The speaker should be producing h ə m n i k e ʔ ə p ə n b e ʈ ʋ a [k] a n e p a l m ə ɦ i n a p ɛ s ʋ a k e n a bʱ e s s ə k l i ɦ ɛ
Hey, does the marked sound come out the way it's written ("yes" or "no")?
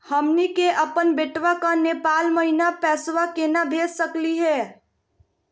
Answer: yes